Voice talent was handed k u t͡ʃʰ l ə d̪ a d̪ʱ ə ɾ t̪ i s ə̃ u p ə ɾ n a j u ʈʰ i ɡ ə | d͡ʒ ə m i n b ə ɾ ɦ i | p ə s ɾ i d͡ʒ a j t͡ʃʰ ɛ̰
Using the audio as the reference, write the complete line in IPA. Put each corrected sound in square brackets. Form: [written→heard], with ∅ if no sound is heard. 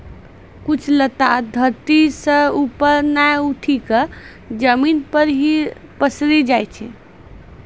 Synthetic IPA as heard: k u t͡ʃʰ l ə [d̪→t̪] a d̪ʱ ə ɾ t̪ i s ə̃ u p ə ɾ n a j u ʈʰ i [ɡ→k] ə | d͡ʒ ə m i n [b→p] ə ɾ ɦ i | p ə s ɾ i d͡ʒ a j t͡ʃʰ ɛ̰